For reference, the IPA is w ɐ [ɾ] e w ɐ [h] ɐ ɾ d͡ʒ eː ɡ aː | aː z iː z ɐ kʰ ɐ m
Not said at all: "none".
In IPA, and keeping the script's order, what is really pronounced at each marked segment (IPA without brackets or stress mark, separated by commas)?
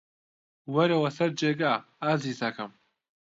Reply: ɾ, s